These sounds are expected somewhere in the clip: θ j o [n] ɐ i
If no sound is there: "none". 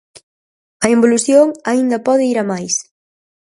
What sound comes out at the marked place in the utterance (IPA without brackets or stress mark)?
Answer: ŋ